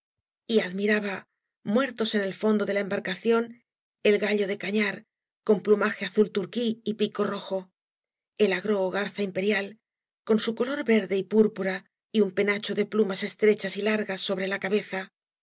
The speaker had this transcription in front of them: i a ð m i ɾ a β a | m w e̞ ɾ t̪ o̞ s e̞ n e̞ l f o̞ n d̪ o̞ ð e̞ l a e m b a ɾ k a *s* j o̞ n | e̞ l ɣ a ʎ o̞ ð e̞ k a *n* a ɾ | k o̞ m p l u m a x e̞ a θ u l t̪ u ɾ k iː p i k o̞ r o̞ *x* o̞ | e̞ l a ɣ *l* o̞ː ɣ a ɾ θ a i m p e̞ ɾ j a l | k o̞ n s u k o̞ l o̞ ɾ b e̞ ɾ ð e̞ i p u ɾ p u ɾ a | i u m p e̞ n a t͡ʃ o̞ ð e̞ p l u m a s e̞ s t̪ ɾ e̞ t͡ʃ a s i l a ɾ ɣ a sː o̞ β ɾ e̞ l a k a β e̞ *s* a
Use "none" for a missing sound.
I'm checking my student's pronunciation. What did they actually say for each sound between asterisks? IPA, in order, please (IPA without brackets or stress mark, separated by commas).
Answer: θ, ɲ, x, ɾ, θ